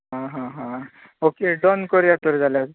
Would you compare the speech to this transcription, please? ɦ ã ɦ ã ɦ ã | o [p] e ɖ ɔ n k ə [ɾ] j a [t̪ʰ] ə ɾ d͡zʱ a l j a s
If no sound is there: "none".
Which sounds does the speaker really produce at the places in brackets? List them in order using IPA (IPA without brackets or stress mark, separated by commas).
k, ɾ, t̪